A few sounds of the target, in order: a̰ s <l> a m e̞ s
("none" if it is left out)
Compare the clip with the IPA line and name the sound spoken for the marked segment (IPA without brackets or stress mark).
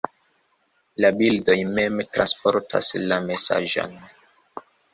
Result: l